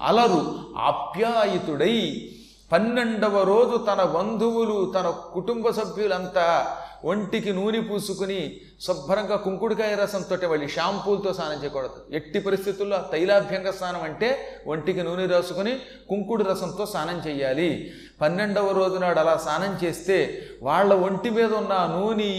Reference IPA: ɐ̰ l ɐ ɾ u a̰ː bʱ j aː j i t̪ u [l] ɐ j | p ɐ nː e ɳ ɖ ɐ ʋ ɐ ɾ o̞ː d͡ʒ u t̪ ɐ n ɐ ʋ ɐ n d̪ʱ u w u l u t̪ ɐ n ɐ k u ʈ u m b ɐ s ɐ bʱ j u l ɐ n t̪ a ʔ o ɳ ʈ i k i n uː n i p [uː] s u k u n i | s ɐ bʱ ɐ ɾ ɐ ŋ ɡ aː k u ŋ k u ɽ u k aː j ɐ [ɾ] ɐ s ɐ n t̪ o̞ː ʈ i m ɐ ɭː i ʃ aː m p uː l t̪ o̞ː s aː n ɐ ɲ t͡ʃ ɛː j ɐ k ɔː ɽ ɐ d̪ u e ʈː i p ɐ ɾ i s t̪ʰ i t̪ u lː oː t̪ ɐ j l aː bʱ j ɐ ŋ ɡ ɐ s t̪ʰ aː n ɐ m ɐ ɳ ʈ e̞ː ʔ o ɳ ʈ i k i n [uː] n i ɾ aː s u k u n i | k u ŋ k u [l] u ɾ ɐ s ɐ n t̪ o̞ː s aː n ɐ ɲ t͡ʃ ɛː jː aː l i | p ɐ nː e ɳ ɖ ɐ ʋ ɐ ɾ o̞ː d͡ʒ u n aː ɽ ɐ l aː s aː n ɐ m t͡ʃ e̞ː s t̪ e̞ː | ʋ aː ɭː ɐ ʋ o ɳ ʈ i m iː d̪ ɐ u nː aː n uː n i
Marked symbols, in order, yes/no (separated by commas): no, yes, yes, yes, no